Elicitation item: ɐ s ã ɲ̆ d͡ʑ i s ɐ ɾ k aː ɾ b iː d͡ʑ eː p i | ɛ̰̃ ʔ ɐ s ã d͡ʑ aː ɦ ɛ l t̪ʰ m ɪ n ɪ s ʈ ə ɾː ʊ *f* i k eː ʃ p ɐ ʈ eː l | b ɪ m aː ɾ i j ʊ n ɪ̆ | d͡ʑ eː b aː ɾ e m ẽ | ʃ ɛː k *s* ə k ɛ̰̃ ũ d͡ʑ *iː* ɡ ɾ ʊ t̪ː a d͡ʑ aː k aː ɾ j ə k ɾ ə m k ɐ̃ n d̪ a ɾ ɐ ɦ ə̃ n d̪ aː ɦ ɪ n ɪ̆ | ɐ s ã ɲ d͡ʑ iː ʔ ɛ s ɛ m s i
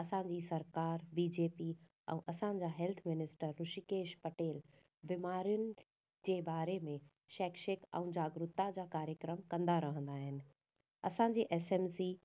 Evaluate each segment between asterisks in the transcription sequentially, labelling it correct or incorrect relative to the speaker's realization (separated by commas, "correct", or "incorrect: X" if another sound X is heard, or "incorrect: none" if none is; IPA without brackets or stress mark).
incorrect: ʃ, incorrect: ʃ, incorrect: aː